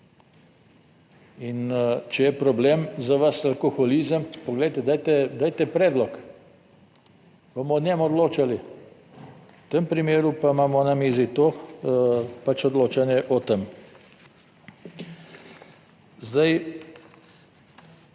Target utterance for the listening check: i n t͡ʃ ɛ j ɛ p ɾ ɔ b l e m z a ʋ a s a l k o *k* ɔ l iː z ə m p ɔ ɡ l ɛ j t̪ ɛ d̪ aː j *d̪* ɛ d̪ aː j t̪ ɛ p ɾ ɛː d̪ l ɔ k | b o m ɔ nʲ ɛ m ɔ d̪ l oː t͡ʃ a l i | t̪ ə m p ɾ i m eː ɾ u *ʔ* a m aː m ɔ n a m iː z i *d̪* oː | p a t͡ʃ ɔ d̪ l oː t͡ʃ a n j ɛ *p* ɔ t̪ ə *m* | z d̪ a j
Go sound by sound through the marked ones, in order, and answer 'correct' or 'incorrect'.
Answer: incorrect: x, incorrect: t̪, incorrect: p, incorrect: t̪, incorrect: ʔ, correct

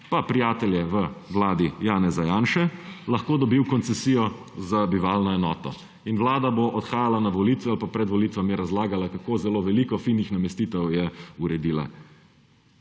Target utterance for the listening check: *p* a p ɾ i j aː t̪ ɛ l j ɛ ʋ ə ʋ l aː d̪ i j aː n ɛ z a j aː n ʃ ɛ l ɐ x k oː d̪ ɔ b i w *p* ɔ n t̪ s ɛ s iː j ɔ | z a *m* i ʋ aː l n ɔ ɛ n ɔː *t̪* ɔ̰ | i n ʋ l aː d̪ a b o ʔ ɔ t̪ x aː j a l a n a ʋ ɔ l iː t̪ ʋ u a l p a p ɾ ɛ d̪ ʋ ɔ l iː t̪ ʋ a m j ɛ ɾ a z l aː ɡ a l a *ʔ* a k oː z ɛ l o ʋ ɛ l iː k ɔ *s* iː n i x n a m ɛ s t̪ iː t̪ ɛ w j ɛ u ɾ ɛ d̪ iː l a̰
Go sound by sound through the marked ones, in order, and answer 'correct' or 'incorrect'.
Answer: correct, incorrect: k, incorrect: b, correct, incorrect: k, incorrect: f

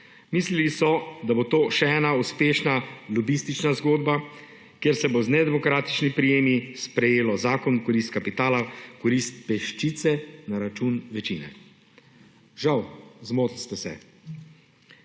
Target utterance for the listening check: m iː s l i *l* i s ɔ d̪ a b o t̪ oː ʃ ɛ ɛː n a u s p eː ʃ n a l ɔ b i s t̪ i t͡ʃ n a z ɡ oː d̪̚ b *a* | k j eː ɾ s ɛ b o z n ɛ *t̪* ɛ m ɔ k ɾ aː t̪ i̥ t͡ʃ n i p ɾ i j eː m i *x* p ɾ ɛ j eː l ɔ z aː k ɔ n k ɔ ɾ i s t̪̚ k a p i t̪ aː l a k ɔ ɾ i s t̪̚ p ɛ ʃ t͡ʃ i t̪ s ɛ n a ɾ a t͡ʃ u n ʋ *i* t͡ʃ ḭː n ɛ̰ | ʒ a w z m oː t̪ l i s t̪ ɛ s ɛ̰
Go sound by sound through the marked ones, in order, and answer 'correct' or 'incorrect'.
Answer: correct, correct, incorrect: d̪, incorrect: s, incorrect: ɛ

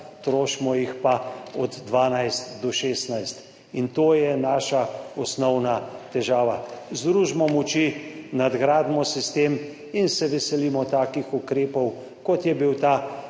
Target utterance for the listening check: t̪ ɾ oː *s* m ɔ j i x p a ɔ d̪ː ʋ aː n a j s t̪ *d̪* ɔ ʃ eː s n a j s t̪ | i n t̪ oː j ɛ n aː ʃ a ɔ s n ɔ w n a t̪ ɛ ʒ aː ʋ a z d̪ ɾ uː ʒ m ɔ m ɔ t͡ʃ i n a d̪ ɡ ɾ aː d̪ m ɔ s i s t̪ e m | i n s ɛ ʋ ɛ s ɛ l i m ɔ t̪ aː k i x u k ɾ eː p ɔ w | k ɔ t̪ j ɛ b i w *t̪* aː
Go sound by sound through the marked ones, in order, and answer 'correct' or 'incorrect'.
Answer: incorrect: ʃ, correct, correct

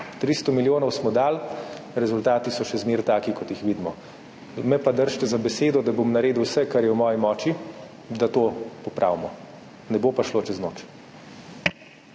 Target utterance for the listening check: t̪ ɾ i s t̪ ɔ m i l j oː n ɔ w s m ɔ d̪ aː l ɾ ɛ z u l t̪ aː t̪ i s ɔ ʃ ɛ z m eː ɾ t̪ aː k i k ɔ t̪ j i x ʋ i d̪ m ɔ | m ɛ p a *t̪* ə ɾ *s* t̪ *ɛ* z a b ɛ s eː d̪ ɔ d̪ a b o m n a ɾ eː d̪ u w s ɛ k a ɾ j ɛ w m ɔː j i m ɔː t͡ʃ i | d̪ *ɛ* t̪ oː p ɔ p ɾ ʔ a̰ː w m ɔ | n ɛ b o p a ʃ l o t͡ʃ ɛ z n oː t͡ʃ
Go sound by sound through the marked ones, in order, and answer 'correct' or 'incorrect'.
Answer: incorrect: d̪, incorrect: ʃ, correct, incorrect: a

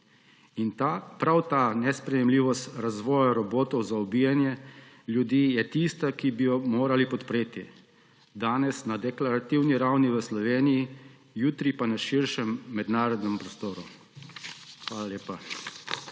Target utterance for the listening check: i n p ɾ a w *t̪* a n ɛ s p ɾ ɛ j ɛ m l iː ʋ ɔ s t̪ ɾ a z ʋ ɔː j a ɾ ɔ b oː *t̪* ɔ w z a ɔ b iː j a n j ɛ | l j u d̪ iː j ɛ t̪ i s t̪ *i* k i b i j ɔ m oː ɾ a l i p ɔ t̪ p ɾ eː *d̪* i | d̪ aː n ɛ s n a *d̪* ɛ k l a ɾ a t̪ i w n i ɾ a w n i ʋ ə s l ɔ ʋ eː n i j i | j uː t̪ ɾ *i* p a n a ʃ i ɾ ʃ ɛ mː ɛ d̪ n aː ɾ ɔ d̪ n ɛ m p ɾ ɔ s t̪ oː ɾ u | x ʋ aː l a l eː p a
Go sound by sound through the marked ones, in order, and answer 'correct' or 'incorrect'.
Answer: correct, correct, incorrect: a, incorrect: t̪, correct, correct

